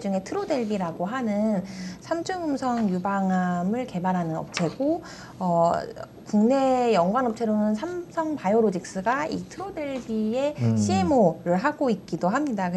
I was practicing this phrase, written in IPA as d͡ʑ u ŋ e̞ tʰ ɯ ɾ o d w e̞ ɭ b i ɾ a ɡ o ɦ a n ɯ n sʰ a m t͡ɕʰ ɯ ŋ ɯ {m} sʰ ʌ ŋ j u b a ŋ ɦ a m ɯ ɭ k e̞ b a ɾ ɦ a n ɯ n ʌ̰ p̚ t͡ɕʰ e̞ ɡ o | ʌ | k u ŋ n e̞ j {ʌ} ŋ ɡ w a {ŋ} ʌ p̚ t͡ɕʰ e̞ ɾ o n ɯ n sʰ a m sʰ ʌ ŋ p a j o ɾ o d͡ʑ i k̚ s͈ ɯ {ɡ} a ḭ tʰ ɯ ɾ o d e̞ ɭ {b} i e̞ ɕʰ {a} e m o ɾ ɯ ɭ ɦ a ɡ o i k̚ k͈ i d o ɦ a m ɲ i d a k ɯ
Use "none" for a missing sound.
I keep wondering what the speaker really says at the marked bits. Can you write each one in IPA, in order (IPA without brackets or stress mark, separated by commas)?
m, ʌ, n, ɡ, b, i